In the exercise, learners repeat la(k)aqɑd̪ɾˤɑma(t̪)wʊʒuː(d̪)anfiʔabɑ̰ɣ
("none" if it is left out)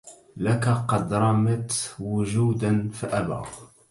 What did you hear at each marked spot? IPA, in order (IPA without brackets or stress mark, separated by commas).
k, t̪, d̪